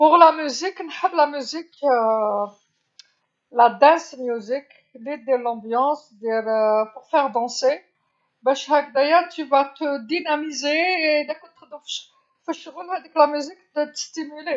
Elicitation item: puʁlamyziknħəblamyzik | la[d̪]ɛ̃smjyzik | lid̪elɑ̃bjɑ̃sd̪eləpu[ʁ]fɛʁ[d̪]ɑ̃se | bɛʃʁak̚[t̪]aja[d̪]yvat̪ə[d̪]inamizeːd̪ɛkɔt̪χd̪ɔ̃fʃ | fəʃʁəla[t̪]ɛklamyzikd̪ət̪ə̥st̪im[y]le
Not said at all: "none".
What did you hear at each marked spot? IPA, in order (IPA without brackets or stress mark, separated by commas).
d̪, ʁ, d̪, d̪, t̪, d̪, d̪, y